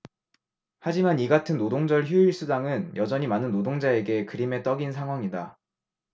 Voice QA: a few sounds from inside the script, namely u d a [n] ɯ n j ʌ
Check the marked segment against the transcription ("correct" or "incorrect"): incorrect